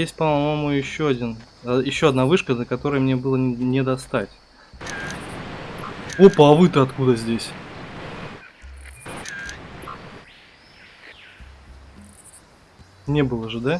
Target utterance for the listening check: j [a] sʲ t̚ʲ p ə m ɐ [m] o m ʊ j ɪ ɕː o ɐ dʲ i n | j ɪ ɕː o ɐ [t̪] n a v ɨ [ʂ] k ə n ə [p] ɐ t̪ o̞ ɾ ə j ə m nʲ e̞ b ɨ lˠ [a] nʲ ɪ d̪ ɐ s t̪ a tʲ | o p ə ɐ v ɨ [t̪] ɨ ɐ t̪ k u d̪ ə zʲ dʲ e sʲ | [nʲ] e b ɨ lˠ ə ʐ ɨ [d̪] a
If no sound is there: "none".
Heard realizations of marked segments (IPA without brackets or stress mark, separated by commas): e, m, d̪, ʂ, k, ə, t̪, nʲ, d̪